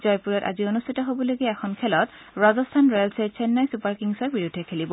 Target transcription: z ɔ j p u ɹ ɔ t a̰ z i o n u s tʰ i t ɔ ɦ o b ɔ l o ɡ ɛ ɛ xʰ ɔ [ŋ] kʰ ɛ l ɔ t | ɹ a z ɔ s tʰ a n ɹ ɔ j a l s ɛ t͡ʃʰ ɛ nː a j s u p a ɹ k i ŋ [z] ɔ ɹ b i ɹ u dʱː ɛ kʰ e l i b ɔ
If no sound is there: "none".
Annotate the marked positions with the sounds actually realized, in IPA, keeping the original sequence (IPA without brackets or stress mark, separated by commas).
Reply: n, s